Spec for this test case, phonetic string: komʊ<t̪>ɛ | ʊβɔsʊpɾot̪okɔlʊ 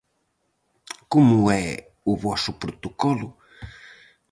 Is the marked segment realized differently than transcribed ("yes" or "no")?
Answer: yes